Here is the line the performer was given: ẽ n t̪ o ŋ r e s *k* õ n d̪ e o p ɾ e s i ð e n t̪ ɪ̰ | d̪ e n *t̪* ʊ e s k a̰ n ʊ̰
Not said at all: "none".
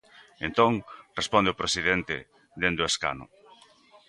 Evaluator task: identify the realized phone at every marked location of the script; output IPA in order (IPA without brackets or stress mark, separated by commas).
p, d̪